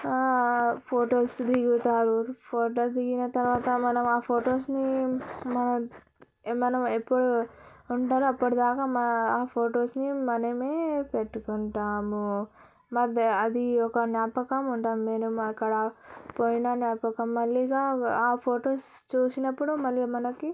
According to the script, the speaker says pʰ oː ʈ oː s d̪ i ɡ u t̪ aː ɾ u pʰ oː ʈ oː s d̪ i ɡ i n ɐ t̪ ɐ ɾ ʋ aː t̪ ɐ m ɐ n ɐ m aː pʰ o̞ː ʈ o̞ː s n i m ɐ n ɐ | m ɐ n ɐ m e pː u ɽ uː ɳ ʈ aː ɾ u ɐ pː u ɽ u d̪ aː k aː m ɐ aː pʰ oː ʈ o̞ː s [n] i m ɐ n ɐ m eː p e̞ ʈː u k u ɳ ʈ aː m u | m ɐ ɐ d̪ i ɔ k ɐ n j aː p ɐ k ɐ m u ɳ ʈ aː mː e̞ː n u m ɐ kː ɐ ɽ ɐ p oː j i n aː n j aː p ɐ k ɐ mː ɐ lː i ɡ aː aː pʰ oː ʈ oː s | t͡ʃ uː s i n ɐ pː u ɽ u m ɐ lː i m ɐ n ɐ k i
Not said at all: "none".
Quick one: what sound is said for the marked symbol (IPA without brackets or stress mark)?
n